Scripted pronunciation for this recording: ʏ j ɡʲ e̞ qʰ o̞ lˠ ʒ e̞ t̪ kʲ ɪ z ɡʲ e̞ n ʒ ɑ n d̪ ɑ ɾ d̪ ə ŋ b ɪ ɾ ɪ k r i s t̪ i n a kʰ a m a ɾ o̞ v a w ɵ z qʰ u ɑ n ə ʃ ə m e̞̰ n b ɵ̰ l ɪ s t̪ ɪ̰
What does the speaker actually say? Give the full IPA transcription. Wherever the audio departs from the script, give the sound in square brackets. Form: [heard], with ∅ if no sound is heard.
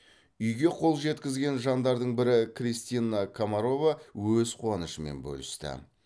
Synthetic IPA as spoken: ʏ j ɡʲ e̞ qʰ o̞ lˠ ʒ e̞ t̪ kʲ ɪ z ɡʲ e̞ n ʒ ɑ n d̪ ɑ ɾ d̪ ə [ɴ] b ɪ ɾ ɪ k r i s t̪ i n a kʰ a m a ɾ o̞ v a w ɵ z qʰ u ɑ n ə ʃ ə m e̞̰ n b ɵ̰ l ɪ s t̪ ɪ̰

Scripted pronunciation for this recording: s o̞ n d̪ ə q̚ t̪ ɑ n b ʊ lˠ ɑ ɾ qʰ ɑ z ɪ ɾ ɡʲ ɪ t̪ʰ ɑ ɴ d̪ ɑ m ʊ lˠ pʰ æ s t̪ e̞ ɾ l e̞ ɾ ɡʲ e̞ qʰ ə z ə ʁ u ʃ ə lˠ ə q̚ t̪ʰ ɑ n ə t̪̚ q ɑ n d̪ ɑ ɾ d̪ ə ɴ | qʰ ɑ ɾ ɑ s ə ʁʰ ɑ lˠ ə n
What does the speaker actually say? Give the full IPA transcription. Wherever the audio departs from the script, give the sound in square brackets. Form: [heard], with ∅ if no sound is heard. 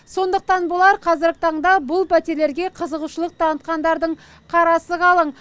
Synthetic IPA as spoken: s o̞ n d̪ ə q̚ t̪ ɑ n b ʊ lˠ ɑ ɾ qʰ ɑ z ɪ ɾ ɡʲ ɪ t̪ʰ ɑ ɴ d̪ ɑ [b] ʊ lˠ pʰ æ [∅] t̪ e̞ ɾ l e̞ ɾ ɡʲ e̞ qʰ ə z ə ʁ u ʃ ə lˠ ə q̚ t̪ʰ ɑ n ə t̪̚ q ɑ n d̪ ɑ ɾ d̪ ə ɴ | qʰ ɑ ɾ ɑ s ə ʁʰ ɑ lˠ ə [ɴ]

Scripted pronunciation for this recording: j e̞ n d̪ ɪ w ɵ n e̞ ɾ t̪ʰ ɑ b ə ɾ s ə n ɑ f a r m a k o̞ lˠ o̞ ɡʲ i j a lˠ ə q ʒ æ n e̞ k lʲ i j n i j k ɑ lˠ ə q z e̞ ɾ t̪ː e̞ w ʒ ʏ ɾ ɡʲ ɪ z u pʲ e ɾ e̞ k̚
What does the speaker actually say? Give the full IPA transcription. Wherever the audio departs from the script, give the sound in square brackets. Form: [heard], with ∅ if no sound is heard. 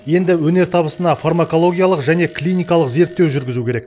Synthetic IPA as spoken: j e̞ n d̪ ɪ w ɵ n e̞ ɾ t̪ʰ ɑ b ə [∅] s ə n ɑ f a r m a k o̞ lˠ o̞ ɡʲ i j a lˠ ə q ʒ æ n e̞ k lʲ i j n i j k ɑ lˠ ə q z e̞ ɾ t̪ː e̞ w ʒ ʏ ɾ ɡʲ ɪ z u [kʲ] e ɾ e̞ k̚

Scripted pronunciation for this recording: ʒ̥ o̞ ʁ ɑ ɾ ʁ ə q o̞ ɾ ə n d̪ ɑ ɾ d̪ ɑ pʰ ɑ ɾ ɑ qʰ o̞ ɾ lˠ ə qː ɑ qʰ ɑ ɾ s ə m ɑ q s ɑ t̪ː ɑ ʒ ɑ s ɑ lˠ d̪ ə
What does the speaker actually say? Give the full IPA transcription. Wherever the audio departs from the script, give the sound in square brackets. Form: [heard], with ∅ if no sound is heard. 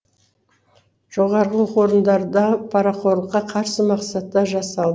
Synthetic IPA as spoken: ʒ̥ o̞ ʁ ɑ ɾ ʁ ə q o̞ ɾ ə n d̪ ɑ ɾ d̪ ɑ pʰ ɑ ɾ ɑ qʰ o̞ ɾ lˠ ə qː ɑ qʰ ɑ ɾ s ə m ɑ q s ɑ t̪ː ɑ ʒ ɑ s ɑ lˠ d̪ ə

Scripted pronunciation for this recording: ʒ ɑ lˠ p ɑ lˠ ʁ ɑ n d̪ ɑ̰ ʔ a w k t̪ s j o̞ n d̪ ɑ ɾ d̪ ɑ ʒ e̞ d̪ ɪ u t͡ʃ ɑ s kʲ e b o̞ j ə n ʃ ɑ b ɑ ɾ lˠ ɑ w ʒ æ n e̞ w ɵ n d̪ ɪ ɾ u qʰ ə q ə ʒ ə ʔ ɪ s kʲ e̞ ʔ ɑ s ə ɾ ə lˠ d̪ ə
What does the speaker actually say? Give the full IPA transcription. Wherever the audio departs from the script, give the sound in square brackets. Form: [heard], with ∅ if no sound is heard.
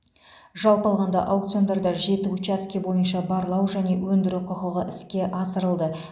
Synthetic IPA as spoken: ʒ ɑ lˠ p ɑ lˠ ʁ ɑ n d̪ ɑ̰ ʔ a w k t̪ s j o̞ n d̪ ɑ ɾ d̪ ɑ ʒ e̞ [t̪] ɪ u t͡ʃ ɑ s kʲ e b o̞ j ə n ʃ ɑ b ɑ ɾ lˠ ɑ w ʒ æ n e̞ w ɵ n d̪ ɪ ɾ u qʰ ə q ə [ʁ] ə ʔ ɪ s kʲ e̞ ʔ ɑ s ə ɾ ə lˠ d̪ ə

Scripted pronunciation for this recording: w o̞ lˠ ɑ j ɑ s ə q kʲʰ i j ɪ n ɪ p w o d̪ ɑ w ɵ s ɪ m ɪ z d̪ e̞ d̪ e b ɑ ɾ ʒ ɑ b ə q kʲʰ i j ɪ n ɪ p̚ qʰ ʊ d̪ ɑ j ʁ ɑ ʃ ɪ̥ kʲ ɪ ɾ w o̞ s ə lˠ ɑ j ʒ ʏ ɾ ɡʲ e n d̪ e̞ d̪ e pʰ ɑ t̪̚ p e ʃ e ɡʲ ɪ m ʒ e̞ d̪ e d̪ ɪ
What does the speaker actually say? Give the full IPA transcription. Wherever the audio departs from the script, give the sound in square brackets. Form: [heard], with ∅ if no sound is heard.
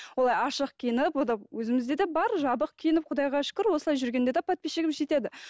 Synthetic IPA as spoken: w o̞ lˠ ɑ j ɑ [ʃ] ə q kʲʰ i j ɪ n ɪ p w o d̪ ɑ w ɵ [z] ɪ m ɪ z d̪ e̞ d̪ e b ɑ ɾ ʒ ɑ b ə q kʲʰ i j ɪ n ɪ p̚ qʰ ʊ d̪ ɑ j ʁ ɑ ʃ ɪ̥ kʲ ɪ ɾ w o̞ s ə lˠ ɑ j ʒ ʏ ɾ ɡʲ e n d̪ e̞ d̪ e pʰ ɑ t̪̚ p e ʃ e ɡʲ ɪ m ʒ e̞ [t̪] e d̪ ɪ

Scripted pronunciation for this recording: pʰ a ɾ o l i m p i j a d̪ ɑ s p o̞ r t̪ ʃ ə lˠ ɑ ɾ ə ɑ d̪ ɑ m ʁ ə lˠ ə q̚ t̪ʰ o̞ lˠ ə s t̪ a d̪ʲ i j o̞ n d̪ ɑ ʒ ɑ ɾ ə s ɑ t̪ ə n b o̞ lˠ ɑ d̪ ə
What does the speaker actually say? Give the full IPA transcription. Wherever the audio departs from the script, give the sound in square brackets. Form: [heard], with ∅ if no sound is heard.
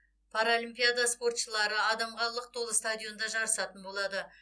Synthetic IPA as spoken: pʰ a ɾ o l i m p i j a d̪ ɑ s p o̞ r t̪ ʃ ə lˠ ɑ ɾ ə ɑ d̪ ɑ m ʁ [ɑ] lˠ ə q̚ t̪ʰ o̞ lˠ ə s t̪ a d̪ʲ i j o̞ n d̪ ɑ ʒ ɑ ɾ ə s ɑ t̪ ə n b o̞ lˠ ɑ d̪ ə

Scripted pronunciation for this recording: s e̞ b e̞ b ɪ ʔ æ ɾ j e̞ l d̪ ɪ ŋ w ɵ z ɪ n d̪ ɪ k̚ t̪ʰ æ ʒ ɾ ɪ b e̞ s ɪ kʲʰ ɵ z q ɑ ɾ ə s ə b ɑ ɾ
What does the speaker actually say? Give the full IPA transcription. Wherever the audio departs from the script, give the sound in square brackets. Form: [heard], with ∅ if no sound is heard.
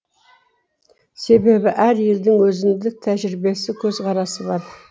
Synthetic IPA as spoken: s e̞ b e̞ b ɪ ʔ æ ɾ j e̞ l d̪ ɪ ŋ w ɵ z ɪ n d̪ ɪ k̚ t̪ʰ æ ʒ ɾ ɪ b e̞ s ɪ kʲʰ ɵ z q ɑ ɾ [ɑ] s ə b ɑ ɾ

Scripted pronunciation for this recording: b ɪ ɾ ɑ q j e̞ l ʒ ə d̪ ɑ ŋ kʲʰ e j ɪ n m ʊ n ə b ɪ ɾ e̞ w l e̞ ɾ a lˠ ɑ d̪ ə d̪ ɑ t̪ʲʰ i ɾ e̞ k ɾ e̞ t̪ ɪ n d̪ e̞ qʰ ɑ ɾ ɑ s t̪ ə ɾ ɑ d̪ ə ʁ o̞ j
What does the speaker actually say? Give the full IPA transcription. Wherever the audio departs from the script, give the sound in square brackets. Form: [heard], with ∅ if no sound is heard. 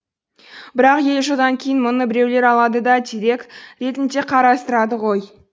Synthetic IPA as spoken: b ɪ ɾ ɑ q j e̞ l ʒ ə d̪ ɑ ŋ kʲʰ e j ɪ n m ʊ n ə b ɪ ɾ e̞ w l e̞ ɾ [ɑ] lˠ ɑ d̪ ə d̪ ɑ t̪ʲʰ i ɾ e̞ k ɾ e̞ t̪ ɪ n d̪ e̞ qʰ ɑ ɾ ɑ s t̪ ə ɾ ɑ d̪ ə ʁ o̞ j

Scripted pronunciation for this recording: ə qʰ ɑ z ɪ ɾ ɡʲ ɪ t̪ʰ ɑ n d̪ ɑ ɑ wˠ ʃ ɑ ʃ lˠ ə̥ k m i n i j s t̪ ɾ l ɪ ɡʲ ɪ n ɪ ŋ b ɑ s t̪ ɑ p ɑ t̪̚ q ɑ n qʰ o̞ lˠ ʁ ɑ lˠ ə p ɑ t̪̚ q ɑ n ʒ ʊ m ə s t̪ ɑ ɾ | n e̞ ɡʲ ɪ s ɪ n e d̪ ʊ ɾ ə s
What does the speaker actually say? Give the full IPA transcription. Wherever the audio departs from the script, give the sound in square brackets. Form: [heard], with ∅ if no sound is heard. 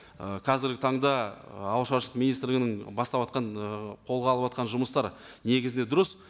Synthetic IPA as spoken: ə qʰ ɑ z ɪ ɾ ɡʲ ɪ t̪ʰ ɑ [ɴ] d̪ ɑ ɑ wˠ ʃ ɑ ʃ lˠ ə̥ [q] m i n i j s t̪ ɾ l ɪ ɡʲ ɪ n ɪ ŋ b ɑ s t̪ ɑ p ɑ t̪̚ q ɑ n qʰ o̞ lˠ ʁ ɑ lˠ ə p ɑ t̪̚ q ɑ n ʒ ʊ m ə s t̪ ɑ ɾ | n e̞ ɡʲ ɪ [z] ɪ n e d̪ ʊ ɾ ə s

